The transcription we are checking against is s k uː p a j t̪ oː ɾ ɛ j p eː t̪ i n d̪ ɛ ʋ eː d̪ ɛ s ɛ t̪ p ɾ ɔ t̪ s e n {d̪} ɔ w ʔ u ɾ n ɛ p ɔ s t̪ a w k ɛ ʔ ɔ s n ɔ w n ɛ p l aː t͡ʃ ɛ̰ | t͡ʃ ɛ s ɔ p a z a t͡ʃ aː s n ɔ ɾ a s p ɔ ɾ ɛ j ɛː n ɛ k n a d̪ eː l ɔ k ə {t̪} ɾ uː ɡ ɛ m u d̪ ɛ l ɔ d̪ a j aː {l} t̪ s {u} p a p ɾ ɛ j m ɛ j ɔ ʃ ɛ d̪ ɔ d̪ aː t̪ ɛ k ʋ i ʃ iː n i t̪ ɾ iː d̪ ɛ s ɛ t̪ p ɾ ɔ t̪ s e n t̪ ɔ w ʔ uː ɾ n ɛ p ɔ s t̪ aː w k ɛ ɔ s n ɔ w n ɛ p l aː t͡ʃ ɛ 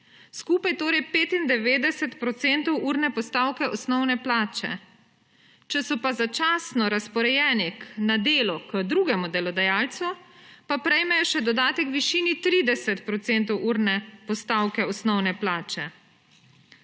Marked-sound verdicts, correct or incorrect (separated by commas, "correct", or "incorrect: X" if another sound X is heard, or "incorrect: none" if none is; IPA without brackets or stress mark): incorrect: t̪, incorrect: d̪, correct, correct